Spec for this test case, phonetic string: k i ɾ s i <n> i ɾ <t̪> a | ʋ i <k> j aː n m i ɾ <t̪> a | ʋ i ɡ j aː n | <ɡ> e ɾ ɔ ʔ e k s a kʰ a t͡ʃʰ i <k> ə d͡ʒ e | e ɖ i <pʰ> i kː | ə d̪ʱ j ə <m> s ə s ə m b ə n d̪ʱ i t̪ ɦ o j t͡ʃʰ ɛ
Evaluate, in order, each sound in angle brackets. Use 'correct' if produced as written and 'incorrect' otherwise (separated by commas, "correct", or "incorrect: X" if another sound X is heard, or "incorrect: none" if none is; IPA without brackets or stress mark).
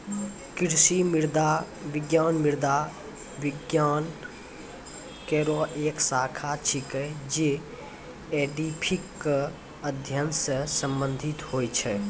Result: incorrect: m, incorrect: d̪, incorrect: ɡ, incorrect: d̪, incorrect: k, correct, correct, incorrect: n